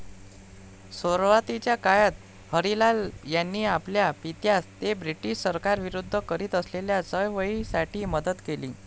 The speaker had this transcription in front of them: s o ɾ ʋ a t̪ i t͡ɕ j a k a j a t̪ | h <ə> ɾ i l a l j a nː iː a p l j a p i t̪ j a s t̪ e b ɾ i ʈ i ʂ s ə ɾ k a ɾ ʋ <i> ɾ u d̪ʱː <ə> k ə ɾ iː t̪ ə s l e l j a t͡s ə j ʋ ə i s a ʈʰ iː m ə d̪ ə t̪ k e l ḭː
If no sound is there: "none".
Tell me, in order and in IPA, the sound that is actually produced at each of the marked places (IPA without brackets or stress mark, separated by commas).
ə, i, ə